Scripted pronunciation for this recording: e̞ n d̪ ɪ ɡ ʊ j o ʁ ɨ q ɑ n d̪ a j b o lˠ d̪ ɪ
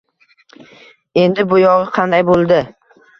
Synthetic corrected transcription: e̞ n d̪ ɪ b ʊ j ɒ ʁ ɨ qʰ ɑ n d̪ a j b o lˠ d̪ ɪ